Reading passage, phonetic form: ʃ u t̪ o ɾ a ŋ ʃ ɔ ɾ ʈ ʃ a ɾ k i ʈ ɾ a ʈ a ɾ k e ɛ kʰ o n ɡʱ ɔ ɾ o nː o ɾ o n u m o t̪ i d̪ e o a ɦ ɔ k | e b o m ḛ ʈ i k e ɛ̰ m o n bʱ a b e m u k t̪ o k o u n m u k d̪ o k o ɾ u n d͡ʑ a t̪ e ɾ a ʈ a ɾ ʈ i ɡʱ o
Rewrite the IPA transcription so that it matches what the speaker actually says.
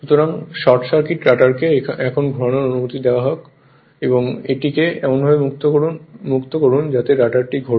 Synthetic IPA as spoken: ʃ u t̪ o ɾ a ŋ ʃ ɔ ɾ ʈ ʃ a ɾ k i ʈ ɾ a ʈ a ɾ k e ɛ kʰ o n ɡʱ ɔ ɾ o n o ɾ o n u m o t̪ i d̪ e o a ɦ ɔ k | e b o ŋ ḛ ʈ i k e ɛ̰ m o n bʱ a b e m u k t̪ o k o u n m u k t̪ o k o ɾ u n d͡ʑ a t̪ e ɾ a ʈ a ɾ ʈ i ɡʱ o